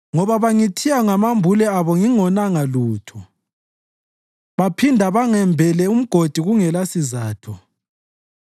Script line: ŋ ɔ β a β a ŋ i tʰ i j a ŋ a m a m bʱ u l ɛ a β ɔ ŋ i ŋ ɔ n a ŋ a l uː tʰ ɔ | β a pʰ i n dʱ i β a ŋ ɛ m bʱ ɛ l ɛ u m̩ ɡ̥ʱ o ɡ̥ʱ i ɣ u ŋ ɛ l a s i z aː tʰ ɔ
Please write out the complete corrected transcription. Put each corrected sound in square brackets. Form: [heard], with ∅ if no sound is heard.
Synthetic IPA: ŋ ɔ β a β a ŋ i tʰ i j a ŋ a m a m bʱ u l ɛ a β ɔ ŋ i ŋ ɔ n a ŋ a l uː tʰ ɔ | β a pʰ i n dʱ [a] β a ŋ ɛ m bʱ ɛ l ɛ u m̩ ɡ̥ʱ o [d̥ʱ] i ɣ u ŋ ɛ l a s i z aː tʰ ɔ